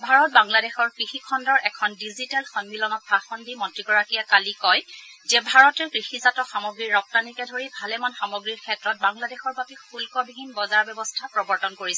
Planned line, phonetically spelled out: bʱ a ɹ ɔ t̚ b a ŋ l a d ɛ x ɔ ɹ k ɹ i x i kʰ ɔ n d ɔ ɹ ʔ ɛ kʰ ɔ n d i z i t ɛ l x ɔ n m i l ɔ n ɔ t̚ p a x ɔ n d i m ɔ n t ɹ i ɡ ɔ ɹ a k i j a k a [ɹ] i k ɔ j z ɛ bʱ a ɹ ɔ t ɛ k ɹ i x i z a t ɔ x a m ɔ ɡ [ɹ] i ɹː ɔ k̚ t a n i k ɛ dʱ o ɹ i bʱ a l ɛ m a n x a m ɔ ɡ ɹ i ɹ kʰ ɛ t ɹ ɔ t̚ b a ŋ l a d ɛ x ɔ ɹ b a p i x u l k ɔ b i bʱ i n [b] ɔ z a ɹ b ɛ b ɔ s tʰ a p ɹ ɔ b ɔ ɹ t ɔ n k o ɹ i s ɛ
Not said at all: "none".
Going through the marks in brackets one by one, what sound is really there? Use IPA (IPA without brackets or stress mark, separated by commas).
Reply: l, ɹ, b